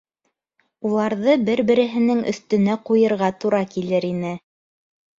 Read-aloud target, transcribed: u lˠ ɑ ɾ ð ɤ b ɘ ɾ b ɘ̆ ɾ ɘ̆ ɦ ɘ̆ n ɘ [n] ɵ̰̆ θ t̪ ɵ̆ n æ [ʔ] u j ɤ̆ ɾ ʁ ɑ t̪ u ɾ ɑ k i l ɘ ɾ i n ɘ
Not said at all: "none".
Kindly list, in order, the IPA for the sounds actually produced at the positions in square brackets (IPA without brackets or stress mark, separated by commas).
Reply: ŋ, q